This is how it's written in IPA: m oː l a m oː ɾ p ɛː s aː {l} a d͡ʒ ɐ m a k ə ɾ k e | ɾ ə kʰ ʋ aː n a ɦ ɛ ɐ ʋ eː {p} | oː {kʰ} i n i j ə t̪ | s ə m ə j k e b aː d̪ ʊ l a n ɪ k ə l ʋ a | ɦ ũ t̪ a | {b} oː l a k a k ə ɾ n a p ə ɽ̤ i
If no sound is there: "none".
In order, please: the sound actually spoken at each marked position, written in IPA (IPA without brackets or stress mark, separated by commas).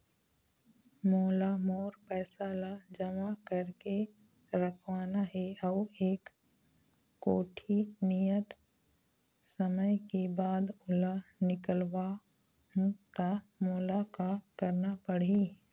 l, k, ʈʰ, m